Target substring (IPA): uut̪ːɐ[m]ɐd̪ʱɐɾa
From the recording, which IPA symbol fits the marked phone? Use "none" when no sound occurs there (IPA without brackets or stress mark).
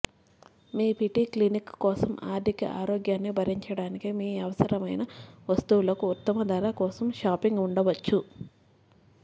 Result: m